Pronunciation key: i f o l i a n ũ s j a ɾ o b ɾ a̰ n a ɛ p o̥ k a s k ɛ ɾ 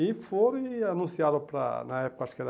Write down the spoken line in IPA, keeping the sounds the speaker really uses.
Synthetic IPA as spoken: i f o ɾ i a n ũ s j a ɾ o p ɾ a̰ n a ɛ p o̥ k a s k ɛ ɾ